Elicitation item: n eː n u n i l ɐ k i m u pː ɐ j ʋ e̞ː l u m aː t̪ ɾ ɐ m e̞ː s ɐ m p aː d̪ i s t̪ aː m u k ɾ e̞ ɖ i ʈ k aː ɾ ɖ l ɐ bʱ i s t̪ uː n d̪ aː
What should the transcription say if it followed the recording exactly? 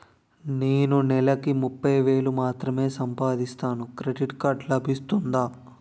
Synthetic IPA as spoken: n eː n u n ɛ l ɐ k i m u pː ɐ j ʋ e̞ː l u m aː t̪ ɾ ɐ m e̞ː s ɐ m p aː d̪ i s t̪ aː n u k ɾ e̞ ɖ i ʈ k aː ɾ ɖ l ɐ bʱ i s t̪ u n d̪ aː

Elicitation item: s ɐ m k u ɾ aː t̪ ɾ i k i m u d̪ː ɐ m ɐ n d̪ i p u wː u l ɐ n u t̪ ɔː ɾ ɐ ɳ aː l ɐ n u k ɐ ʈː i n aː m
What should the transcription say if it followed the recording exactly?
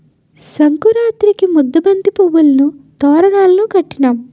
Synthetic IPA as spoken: s ɐ ŋ k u ɾ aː t̪ ɾ i k i m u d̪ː ɐ b ɐ n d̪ i p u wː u l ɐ n u t̪ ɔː ɾ ɐ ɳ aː l ɐ n u k ɐ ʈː i n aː m

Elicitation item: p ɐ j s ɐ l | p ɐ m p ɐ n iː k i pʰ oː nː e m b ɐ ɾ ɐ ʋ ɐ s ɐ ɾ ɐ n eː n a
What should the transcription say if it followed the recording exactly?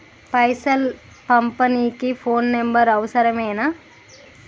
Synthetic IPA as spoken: p ɐ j s ɐ l | p ɐ m p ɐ n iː k i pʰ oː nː e m b ɐ ɾ ɐ ʋ ɐ s ɐ ɾ ɐ m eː n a

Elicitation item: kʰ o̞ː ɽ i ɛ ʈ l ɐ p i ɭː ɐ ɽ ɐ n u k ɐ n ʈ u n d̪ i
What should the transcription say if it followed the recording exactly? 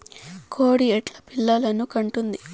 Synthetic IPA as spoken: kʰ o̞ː ɽ i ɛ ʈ l ɐ p i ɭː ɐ l ɐ n u k ɐ ɳ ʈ u n d̪ i

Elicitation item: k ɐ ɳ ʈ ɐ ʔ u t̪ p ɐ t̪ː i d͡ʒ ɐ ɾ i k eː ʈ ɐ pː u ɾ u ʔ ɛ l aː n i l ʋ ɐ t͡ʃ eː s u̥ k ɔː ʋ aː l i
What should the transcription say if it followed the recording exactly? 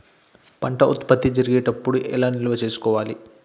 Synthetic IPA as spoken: p ɐ ɳ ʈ ɐ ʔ u t̪ p ɐ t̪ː i d͡ʒ ɐ ɾ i ɡ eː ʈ ɐ pː u ɽ u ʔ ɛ l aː n i l ʋ ɐ t͡ʃ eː s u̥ k ɔː ʋ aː l i

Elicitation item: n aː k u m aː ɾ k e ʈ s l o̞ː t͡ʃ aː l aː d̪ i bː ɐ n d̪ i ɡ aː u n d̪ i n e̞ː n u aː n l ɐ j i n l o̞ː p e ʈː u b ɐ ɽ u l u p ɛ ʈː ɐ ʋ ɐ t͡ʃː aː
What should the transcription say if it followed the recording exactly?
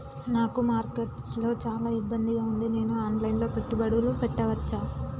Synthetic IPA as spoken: n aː k u m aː ɾ k e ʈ s l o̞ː t͡ʃ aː l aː i bː ɐ n d̪ i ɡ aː u n d̪ i n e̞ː n u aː n l ɐ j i n l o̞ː p e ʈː u b ɐ ɽ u l u p ɛ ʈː ɐ ʋ ɐ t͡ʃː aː

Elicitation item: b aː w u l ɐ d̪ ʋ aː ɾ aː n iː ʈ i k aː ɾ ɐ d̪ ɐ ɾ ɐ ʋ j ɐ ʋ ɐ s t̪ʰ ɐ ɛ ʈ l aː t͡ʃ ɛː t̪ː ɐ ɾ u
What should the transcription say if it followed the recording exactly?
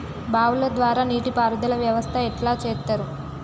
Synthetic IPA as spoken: b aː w u l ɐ d̪ ʋ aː ɾ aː n iː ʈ i p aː ɾ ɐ d̪ ɐ l ɐ ʋ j ɐ ʋ ɐ s t̪ʰ ɐ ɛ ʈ l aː t͡ʃ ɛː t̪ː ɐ ɾ u

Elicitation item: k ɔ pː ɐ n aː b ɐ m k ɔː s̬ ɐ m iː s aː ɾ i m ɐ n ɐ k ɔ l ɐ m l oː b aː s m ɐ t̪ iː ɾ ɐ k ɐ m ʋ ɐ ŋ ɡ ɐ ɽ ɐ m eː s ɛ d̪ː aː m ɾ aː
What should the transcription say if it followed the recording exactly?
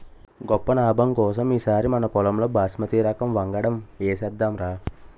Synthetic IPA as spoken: ɡ ɔ pː ɐ n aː b ɐ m k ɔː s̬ ɐ m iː s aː ɾ i m ɐ n ɐ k ɔ l ɐ m l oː b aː s m ɐ t̪ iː ɾ ɐ k ɐ m ʋ ɐ ŋ ɡ ɐ ɽ ɐ m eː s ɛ d̪ː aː m ɾ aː

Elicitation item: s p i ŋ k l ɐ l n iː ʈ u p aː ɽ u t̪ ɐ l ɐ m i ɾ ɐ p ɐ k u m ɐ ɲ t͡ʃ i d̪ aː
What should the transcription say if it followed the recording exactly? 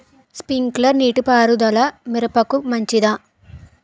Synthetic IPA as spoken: s p i ŋ k l ɐ ɾ n iː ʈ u p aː ɾ u d̪ ɐ l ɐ m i ɾ ɐ p ɐ k u m ɐ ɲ t͡ʃ i d̪ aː

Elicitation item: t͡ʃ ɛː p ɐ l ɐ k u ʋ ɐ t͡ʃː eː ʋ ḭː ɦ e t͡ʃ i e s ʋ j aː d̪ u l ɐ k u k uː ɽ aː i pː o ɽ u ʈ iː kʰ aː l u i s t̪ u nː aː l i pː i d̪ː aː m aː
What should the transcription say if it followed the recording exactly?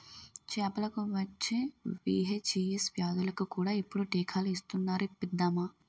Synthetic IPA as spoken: t͡ʃ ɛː p ɐ l ɐ k u ʋ ɐ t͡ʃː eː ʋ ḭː ɦ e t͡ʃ i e s ʋ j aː d̪ u l ɐ k u k uː ɽ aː i pː u ɽ u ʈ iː kʰ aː l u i s t̪ u nː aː ɾ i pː i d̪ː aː m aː

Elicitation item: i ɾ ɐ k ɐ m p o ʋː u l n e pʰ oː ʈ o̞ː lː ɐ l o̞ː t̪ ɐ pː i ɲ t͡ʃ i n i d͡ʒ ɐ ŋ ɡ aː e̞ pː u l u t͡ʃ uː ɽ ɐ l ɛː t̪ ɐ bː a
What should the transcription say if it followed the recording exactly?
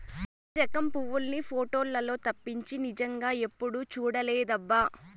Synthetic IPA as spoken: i ɾ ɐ k ɐ m p u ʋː u l n i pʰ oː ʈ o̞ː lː ɐ l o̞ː t̪ ɐ pː i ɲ t͡ʃ i n i d͡ʒ ɐ ŋ ɡ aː e̞ pː u ɽ u t͡ʃ uː ɽ ɐ l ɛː d̪ ɐ bː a

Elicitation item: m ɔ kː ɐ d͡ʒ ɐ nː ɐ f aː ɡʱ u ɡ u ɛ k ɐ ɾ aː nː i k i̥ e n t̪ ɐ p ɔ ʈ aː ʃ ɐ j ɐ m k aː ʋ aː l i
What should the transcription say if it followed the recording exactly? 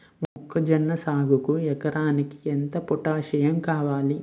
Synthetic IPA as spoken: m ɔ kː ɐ d͡ʒ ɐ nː ɐ s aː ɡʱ u k u ɛ k ɐ ɾ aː n i k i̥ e n t̪ ɐ p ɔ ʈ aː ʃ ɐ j ɐ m k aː ʋ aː l i

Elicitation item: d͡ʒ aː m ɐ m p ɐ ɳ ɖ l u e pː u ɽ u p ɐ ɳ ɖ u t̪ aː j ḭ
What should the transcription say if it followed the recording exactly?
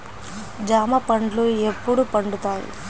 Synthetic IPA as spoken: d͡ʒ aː m ɐ p ɐ ɳ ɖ l u e pː u ɽ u p ɐ ɳ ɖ u t̪ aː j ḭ

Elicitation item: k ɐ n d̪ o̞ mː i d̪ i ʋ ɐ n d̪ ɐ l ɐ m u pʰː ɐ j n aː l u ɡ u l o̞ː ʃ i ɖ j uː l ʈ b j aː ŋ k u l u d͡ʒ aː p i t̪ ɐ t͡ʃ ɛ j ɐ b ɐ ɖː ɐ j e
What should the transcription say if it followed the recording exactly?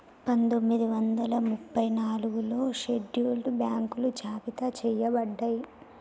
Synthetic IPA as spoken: p ɐ n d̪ o̞ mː i d̪ i ʋ ɐ n d̪ ɐ l ɐ m u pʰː ɐ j n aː l u ɡ u l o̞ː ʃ e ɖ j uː l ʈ b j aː ŋ k u l u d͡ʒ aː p i t̪ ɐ t͡ʃ ɛ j ɐ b ɐ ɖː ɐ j i

